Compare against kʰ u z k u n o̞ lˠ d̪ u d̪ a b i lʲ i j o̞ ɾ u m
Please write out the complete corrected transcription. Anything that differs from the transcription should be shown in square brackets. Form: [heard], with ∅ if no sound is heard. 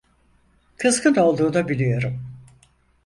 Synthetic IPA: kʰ [ɯ] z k [ɯ] n o̞ lˠ d̪ [uː] d̪ a b i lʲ i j o̞ ɾ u m